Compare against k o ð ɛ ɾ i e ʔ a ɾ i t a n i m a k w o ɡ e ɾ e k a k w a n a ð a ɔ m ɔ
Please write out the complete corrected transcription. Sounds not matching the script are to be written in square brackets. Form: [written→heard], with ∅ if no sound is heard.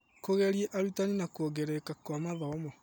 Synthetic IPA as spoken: k o [ð→ɣ] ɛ ɾ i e ʔ a ɾ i t a n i [m→n] a k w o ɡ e ɾ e k a k w a [n→m] a ð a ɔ m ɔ